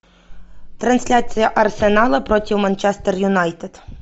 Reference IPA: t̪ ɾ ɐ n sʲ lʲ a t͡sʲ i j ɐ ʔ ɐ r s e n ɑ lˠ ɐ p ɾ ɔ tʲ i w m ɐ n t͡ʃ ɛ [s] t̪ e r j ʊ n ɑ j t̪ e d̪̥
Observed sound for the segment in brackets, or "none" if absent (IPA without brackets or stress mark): s